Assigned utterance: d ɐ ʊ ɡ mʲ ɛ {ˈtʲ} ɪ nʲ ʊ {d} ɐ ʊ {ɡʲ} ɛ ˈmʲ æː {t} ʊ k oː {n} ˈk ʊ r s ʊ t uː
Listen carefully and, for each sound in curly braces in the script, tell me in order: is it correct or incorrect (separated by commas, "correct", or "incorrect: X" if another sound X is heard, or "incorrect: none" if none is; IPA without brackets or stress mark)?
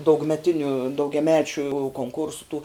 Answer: correct, correct, correct, incorrect: t͡ʃʲ, incorrect: ŋ